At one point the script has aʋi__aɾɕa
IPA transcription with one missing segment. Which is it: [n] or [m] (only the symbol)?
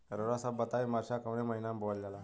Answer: m